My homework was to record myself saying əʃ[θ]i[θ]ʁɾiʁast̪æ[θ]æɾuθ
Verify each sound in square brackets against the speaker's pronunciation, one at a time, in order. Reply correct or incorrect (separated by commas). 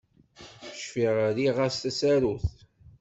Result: incorrect, incorrect, incorrect